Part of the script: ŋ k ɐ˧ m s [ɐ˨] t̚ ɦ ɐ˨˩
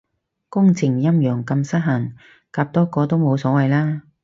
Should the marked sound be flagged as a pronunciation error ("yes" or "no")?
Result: yes